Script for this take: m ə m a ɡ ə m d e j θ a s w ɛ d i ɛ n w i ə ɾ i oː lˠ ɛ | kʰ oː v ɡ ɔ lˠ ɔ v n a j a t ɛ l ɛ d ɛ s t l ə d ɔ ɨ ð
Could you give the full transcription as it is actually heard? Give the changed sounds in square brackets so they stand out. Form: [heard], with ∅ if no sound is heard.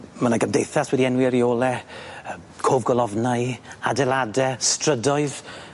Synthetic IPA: m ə [n] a ɡ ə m d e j θ a s w ɛ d i ɛ n w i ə ɾ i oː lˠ ɛ | kʰ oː v ɡ ɔ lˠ ɔ v n a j a [d] ɛ l [a] d ɛ s t [r] ə d ɔ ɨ ð